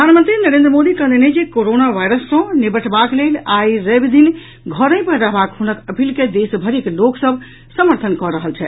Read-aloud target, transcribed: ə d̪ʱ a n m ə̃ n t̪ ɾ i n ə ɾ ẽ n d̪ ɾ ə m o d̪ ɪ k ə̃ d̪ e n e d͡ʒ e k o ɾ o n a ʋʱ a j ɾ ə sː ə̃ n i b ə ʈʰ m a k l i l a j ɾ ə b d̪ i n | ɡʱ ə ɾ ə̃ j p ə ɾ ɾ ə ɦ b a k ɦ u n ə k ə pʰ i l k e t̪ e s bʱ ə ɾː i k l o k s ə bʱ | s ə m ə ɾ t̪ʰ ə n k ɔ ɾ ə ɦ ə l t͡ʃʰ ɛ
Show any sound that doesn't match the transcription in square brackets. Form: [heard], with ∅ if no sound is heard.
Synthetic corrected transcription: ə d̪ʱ a n m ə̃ n t̪ ɾ i n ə ɾ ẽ n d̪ ɾ ə m o d̪ [i] k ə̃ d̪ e n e d͡ʒ e k o ɾ o n a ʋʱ a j ɾ ə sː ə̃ n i b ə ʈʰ [b] a k l [e] l a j ɾ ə b d̪ i n | ɡʱ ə ɾ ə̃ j p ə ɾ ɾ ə ɦ b a k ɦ u n ə k ə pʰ i l k e [d̪] e s bʱ ə [ɾ] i k l o k s ə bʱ | s ə m ə ɾ t̪ʰ ə n k ɔ ɾ ə ɦ ə l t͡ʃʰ ɛ